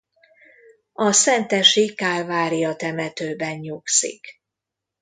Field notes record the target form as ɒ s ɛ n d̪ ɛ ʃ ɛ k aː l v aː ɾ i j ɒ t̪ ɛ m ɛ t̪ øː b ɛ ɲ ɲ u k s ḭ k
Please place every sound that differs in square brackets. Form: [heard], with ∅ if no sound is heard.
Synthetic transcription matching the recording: ɒ s ɛ n [t̪] ɛ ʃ [i] k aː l v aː ɾ i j ɒ t̪ ɛ m ɛ t̪ øː b ɛ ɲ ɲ u k s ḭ k